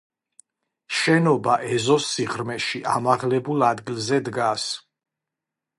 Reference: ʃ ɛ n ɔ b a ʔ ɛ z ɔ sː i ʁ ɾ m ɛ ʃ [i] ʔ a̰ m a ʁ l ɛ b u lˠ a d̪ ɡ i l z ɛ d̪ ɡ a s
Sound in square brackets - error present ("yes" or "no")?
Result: no